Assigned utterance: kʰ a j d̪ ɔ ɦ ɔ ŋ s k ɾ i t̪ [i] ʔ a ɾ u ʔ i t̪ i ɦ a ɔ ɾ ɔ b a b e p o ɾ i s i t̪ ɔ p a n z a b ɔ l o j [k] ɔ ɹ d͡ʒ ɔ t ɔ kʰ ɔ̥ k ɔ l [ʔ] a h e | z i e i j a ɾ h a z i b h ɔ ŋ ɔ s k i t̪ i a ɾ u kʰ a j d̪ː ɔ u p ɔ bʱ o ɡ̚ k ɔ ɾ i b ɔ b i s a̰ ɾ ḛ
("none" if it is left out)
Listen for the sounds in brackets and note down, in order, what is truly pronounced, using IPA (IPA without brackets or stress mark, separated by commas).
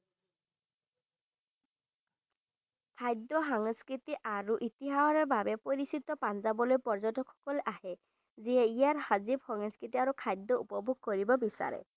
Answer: i, p, ʔ